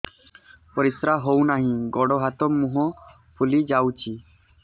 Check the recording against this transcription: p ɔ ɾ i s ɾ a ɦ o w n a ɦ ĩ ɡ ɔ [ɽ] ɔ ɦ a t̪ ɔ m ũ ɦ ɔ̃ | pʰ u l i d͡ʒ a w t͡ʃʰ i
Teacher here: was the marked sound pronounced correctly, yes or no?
yes